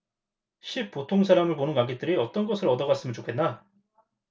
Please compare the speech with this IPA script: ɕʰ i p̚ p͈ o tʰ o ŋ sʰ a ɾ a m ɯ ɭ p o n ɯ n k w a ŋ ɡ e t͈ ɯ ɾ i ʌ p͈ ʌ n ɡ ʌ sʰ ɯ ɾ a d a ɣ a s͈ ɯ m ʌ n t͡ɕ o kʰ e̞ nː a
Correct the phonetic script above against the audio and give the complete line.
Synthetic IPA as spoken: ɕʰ i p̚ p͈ o tʰ o ŋ sʰ a ɾ a m ɯ ɭ p o n ɯ n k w a ŋ ɡ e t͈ ɯ ɾ i ʌ t͈ ʌ n ɡ ʌ sʰ ɯ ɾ ʌ d ʌ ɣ a s͈ ɯ m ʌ n t͡ɕ o kʰ e̞ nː a